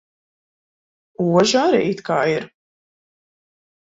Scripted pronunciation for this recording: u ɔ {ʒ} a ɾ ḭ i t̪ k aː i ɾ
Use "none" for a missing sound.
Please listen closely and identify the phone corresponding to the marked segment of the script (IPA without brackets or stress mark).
ʒ